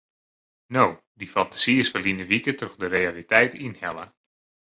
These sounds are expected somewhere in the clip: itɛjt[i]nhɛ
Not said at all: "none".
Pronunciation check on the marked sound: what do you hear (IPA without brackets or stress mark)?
i